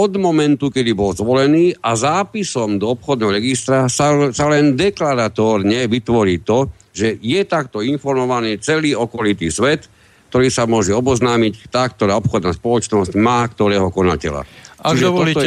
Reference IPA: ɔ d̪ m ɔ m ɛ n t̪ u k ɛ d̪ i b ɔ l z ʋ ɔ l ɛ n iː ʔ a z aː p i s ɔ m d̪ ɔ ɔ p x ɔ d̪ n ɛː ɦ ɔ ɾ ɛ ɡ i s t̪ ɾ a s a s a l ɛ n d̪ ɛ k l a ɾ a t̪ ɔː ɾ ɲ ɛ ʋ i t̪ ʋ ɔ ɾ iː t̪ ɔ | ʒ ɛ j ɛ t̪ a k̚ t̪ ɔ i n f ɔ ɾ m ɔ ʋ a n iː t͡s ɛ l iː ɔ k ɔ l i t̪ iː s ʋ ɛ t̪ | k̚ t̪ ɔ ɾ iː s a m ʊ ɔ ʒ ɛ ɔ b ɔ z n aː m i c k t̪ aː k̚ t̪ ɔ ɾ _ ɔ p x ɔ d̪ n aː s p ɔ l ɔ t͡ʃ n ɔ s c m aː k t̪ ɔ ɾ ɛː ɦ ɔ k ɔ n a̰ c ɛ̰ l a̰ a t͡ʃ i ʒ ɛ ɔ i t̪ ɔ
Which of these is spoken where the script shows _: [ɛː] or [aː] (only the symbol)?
aː